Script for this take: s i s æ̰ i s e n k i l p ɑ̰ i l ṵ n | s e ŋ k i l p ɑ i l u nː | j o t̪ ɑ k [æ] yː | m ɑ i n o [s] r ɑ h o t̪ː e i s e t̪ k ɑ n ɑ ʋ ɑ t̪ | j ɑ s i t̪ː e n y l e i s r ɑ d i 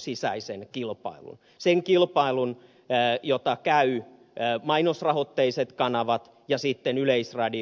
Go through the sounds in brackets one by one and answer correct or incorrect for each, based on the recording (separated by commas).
correct, correct